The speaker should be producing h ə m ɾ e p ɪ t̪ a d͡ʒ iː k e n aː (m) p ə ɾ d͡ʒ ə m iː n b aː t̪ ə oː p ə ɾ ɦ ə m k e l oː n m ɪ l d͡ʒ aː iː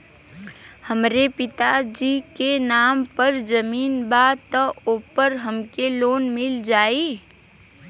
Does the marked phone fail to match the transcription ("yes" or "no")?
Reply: no